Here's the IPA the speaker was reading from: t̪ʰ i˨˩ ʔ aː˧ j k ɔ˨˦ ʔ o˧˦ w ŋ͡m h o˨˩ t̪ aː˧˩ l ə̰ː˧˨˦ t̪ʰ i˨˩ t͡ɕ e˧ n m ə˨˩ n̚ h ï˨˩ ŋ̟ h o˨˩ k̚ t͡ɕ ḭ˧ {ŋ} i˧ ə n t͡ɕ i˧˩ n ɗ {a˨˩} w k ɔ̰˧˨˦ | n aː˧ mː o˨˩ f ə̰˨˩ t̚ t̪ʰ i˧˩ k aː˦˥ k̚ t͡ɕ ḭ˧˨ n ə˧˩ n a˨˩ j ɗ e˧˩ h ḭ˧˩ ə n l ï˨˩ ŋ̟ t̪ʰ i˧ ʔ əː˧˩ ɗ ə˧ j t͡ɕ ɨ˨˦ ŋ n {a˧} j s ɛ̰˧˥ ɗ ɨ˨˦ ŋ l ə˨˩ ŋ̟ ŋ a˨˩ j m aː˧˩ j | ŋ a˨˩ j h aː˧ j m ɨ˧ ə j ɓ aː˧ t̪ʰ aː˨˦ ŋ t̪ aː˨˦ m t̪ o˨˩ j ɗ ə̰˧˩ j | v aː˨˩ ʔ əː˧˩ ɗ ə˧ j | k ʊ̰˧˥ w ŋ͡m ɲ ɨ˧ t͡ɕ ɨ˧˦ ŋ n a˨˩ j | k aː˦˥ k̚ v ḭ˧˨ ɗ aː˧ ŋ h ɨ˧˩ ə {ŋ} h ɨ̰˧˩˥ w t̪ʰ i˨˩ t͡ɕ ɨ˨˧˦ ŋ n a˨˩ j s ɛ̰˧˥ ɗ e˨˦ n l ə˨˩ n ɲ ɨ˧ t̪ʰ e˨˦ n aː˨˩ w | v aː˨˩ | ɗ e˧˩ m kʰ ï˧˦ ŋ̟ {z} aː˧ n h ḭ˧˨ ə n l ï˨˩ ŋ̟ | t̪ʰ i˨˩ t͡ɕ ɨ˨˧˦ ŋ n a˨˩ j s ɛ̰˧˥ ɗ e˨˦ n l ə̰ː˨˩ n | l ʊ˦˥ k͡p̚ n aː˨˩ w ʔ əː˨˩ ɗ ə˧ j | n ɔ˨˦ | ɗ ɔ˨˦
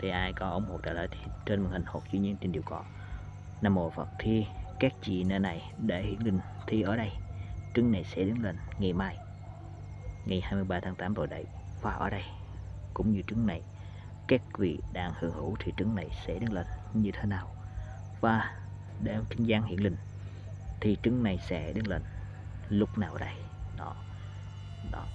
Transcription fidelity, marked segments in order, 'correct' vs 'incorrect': incorrect: ɲ, incorrect: i˨˩, incorrect: a˨˩, correct, correct

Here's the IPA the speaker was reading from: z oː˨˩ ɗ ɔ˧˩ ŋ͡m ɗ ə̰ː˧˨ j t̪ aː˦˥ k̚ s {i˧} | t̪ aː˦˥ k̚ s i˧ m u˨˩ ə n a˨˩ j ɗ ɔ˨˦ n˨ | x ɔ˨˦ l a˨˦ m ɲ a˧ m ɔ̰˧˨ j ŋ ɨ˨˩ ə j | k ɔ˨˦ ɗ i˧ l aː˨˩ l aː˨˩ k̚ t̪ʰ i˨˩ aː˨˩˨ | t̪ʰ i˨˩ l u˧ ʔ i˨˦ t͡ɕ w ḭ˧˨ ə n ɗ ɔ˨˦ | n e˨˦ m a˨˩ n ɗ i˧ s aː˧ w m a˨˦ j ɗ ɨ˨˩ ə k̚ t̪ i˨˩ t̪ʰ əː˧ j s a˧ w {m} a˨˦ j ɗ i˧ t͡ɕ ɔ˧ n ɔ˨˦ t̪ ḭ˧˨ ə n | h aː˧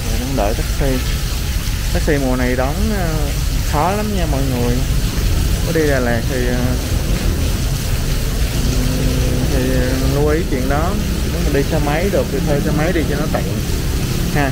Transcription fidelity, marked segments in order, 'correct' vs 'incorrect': correct, correct

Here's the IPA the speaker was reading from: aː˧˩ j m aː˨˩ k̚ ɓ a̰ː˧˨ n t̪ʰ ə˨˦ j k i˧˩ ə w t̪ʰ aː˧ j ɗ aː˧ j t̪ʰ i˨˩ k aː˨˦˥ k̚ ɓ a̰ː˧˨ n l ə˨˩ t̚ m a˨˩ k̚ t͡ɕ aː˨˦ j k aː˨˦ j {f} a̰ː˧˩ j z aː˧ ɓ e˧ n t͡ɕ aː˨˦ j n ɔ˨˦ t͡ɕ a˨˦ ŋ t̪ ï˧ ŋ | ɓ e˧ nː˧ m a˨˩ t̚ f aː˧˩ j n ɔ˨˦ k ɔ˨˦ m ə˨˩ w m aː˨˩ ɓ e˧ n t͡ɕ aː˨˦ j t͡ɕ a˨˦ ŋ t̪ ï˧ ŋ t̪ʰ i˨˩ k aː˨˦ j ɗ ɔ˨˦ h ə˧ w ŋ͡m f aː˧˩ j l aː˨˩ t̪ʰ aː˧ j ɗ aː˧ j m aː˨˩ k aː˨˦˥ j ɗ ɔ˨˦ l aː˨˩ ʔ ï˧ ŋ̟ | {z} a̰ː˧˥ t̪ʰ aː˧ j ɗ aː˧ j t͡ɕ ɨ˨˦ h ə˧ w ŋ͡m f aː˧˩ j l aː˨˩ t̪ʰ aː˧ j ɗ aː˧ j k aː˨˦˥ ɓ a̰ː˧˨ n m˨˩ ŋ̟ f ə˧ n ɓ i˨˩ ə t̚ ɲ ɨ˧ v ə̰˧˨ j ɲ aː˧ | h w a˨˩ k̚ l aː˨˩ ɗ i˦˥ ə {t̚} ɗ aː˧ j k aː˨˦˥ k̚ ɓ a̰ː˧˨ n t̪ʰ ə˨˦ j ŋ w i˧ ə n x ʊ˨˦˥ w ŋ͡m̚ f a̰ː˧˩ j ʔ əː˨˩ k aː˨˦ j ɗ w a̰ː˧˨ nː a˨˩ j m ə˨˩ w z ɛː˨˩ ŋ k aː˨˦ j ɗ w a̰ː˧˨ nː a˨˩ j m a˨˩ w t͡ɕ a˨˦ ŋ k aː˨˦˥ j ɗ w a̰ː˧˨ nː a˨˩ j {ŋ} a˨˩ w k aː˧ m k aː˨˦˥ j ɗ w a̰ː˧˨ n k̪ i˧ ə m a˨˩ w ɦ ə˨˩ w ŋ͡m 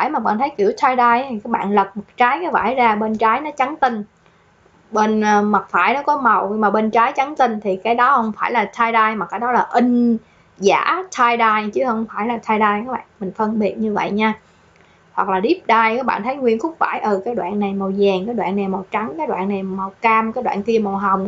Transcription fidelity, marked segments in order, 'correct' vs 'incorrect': incorrect: v, correct, incorrect: p̚, incorrect: m

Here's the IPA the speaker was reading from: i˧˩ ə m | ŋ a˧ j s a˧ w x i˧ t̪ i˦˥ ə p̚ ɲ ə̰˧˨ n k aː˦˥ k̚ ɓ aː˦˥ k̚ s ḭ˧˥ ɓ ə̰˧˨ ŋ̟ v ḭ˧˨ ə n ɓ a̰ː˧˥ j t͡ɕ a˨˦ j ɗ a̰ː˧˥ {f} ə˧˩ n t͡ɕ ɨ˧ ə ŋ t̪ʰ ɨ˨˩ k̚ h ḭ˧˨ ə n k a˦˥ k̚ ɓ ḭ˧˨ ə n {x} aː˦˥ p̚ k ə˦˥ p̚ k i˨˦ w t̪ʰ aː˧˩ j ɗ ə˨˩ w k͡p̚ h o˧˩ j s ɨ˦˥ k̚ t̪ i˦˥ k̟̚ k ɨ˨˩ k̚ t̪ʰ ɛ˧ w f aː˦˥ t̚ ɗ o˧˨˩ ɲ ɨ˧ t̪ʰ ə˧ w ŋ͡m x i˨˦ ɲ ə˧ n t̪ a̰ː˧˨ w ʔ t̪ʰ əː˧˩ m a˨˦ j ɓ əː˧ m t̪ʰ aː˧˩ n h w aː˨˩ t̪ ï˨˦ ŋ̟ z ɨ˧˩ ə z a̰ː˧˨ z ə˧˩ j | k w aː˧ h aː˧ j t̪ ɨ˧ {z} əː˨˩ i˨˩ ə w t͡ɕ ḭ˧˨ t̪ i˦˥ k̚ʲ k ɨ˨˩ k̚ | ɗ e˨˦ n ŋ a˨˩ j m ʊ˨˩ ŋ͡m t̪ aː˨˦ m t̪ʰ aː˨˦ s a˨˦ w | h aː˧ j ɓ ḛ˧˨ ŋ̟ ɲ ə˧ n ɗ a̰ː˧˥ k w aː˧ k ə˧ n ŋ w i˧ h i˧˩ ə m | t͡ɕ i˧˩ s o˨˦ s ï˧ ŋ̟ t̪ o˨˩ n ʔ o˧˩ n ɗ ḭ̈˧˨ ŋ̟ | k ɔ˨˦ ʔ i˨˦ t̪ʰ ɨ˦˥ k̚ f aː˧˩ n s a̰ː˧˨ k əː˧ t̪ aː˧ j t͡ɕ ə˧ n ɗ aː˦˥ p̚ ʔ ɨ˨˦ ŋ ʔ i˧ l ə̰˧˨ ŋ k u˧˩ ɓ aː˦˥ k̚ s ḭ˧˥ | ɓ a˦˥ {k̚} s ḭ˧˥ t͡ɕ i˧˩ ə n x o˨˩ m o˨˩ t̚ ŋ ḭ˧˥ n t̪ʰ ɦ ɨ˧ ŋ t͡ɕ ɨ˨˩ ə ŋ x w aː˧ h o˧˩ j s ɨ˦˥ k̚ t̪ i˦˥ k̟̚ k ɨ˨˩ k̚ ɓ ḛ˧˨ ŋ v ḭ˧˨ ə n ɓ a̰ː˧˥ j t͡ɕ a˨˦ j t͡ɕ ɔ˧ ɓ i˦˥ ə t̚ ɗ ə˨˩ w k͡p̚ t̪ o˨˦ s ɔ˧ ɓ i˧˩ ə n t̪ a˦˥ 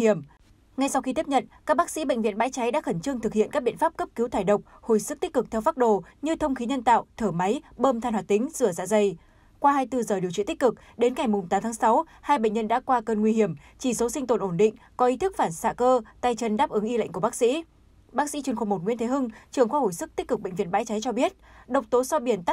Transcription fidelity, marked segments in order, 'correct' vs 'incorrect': incorrect: x, incorrect: f, correct, correct

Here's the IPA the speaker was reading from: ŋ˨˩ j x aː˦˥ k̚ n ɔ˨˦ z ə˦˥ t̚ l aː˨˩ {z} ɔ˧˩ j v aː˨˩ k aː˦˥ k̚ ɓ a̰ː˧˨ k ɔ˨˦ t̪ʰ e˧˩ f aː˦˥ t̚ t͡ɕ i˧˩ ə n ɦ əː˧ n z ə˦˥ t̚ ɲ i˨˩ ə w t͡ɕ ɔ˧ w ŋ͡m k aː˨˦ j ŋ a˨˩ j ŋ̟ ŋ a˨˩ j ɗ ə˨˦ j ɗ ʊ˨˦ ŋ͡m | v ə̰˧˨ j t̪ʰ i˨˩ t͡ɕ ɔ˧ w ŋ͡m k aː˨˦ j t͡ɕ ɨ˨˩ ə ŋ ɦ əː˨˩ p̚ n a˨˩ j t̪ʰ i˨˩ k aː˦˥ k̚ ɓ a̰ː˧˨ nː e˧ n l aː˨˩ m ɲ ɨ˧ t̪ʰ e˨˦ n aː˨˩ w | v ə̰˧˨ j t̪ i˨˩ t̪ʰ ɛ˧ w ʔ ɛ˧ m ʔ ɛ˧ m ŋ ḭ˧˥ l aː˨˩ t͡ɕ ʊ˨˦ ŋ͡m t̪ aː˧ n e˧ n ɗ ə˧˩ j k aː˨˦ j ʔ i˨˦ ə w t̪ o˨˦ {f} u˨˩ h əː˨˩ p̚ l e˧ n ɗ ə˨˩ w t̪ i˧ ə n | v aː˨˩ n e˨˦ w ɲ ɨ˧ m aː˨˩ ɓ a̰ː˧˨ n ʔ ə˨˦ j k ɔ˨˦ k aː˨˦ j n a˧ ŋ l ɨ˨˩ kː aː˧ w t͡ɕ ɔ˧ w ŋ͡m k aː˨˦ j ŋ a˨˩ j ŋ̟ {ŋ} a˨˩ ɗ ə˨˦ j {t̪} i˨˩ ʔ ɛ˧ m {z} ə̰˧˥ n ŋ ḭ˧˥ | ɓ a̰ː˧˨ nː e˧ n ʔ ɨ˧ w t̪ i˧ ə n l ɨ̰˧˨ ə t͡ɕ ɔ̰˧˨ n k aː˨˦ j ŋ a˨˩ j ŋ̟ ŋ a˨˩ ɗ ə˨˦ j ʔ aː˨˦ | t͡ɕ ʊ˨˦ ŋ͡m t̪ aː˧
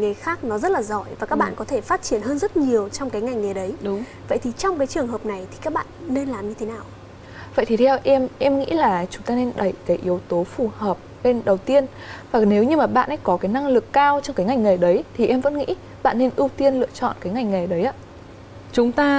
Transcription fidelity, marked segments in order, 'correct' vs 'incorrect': correct, correct, correct, incorrect: t̪ʰ, incorrect: v

